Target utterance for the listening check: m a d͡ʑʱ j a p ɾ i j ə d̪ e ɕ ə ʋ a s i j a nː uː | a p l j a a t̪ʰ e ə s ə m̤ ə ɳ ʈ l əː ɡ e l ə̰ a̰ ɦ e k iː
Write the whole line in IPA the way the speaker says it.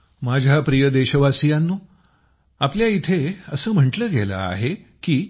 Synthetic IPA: m a d͡ʑʱ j a p ɾ i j ə d̪ e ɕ ə ʋ a s i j a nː uː | a p l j a i t̪ʰ e ə s əː m̤ ə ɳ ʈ l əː ɡ e l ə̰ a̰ ɦ e k iː